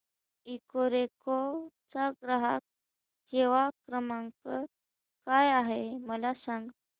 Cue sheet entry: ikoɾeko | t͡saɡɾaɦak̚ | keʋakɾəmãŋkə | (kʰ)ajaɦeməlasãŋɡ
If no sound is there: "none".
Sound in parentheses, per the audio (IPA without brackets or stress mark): k